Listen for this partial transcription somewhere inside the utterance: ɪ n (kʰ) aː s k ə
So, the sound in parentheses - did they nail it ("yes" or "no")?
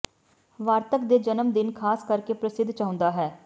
yes